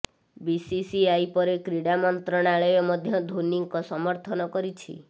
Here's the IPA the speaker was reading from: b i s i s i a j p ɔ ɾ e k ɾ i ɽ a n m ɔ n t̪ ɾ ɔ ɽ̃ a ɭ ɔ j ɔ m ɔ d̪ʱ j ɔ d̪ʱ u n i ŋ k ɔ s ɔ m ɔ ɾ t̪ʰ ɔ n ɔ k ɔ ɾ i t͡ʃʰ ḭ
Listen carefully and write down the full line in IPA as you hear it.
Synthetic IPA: b i s i s i a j p ɔ ɾ e k ɾ i ɽ a m ɔ n t̪ ɾ ɔ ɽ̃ a ɭ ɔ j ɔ m ɔ d̪ʱ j ɔ d̪ʱ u n i ŋ k ɔ s ɔ m ɔ ɾ t̪ʰ ɔ n ɔ k ɔ ɾ i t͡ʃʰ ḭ